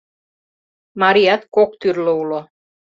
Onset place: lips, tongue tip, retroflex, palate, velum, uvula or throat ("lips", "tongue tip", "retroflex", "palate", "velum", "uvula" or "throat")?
lips